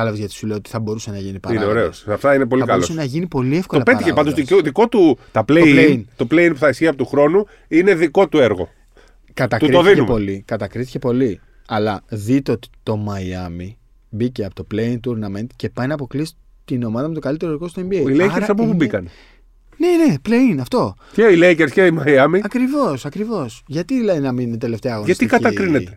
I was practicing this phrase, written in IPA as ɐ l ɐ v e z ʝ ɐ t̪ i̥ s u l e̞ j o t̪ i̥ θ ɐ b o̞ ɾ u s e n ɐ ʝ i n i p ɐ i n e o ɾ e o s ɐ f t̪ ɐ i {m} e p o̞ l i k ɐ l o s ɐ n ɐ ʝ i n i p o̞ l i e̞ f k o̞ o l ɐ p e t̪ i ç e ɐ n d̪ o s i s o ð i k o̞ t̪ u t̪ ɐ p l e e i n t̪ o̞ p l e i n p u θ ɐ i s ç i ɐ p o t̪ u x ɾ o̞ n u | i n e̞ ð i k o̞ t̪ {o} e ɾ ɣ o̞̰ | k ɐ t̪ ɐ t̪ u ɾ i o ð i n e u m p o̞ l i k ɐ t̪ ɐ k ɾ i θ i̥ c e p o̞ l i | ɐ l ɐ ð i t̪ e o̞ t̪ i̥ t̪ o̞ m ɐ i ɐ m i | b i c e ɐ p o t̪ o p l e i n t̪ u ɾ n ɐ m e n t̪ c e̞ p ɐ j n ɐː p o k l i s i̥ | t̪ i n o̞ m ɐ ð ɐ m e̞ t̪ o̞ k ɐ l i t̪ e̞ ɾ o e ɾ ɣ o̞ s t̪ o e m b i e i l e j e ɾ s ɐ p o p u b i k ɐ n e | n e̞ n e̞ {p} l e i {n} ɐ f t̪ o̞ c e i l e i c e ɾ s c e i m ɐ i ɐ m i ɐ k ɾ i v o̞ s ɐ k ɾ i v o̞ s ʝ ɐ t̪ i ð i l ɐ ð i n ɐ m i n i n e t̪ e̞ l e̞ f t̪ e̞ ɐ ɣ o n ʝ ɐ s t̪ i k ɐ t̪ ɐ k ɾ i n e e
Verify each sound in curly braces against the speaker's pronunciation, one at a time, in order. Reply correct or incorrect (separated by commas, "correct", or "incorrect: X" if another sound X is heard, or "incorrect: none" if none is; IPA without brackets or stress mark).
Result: incorrect: n, incorrect: u, correct, correct